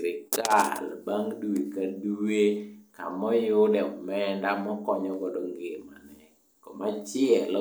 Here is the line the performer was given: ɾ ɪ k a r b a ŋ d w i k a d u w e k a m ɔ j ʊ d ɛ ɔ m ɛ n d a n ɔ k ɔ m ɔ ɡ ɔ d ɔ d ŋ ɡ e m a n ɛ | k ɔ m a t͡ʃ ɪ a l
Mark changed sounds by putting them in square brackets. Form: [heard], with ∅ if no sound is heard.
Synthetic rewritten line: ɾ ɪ k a [l] b a ŋ d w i k a d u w e k a m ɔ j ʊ d ɛ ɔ m ɛ n d a [m] ɔ k ɔ [ɲ] ɔ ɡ ɔ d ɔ [∅] ŋ ɡ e m a n ɛ | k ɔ m a t͡ʃ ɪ [ɛ] l